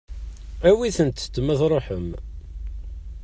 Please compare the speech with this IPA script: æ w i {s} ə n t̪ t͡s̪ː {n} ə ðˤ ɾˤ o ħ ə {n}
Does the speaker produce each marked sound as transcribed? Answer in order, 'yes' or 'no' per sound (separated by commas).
no, no, no